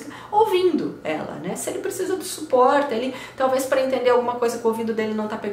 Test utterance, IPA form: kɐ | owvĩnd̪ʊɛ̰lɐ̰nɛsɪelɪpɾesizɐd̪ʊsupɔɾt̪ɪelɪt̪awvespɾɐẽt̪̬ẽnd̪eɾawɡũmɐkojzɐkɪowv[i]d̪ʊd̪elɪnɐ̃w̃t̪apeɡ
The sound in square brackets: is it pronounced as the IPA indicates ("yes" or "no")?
no